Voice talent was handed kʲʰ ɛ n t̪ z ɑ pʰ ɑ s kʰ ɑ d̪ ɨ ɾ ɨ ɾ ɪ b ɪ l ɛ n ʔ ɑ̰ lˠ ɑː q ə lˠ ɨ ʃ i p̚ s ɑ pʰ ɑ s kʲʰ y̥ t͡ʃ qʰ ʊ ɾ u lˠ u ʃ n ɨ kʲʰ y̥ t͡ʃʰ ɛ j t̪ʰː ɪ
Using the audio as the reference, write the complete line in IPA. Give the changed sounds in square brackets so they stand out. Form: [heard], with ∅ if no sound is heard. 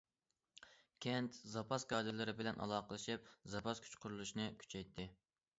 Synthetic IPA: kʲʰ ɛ n t̪ z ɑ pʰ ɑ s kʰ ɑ d̪ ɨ [l] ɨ ɾ ɪ b ɪ l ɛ n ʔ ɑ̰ lˠ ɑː q ə lˠ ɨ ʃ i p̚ [z] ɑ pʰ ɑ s kʲʰ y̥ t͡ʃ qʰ ʊ ɾ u lˠ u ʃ n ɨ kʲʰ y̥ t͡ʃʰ ɛ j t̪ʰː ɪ